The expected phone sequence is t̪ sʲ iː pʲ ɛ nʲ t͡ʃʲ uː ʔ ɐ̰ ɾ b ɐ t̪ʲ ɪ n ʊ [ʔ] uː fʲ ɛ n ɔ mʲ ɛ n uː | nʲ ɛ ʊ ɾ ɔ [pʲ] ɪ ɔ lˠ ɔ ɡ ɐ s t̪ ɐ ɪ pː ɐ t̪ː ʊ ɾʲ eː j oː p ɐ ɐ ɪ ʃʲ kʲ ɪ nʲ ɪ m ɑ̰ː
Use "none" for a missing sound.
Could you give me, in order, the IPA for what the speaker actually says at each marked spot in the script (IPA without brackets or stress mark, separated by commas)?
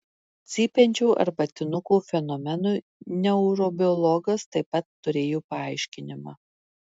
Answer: k, bʲ